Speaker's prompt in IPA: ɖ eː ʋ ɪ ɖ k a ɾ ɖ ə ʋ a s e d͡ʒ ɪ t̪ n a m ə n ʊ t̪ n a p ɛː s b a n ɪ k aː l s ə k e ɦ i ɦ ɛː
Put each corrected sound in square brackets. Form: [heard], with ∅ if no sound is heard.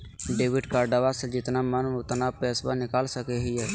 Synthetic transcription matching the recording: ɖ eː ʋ ɪ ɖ k a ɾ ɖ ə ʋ a s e d͡ʒ ɪ t̪ n a m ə n ʊ t̪ n a p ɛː s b a n ɪ k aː l s ə k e ɦ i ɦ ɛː